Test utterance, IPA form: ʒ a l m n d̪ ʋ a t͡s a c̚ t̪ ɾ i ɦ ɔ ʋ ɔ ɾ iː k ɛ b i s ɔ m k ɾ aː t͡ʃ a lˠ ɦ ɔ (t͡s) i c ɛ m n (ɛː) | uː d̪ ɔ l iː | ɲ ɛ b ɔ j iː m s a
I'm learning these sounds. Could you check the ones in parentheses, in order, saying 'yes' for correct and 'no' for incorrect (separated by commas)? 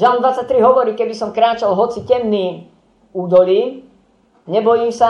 yes, no